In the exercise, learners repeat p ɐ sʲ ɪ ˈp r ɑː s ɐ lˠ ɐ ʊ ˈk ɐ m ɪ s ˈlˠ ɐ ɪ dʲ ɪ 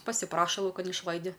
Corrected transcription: p ɐ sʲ ɪ ˈp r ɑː ʃ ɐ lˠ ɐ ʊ ˈk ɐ n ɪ ʃ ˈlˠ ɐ ɪ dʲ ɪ